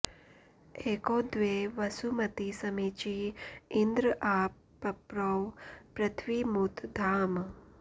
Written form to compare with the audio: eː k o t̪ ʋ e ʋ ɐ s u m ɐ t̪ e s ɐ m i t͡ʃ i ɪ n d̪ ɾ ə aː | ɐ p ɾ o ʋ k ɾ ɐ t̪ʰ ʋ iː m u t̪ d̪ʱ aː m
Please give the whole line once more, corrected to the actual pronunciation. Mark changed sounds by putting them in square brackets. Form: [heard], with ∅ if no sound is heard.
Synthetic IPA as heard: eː k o [d̪] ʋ e ʋ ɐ s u m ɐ t̪ [i] s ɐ m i t͡ʃ i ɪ n d̪ ɾ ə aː | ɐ p ɾ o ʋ [p] ɾ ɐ t̪ʰ ʋ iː m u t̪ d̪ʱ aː m